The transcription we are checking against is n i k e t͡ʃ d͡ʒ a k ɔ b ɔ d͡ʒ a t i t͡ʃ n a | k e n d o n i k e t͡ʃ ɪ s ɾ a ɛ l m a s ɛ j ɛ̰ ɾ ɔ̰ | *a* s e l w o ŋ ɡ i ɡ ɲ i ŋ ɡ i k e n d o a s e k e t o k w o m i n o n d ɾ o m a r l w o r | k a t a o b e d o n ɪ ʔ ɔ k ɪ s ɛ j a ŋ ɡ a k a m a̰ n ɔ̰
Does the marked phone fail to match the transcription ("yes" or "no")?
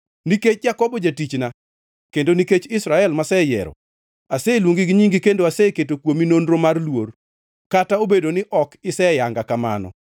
no